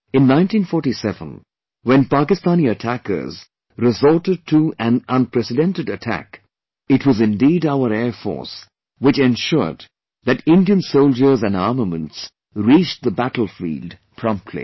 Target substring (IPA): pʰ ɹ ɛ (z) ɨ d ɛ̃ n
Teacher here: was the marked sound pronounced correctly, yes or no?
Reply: no